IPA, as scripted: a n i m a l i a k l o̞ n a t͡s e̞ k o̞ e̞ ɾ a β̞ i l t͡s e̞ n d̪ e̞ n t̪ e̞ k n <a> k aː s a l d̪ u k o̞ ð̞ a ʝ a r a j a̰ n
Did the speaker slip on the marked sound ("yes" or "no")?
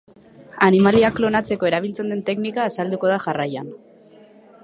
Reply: yes